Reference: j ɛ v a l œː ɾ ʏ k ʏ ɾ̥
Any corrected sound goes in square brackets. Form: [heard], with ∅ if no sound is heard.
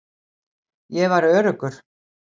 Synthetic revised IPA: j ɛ v a [ɾ] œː ɾ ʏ k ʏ ɾ̥